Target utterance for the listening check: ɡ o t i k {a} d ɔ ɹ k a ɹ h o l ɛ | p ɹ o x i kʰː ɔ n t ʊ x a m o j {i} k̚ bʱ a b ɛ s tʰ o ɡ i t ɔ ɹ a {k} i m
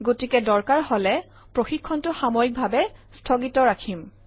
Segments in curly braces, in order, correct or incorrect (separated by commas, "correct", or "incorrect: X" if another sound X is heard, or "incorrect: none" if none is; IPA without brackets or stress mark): incorrect: ɛ, correct, incorrect: kʰ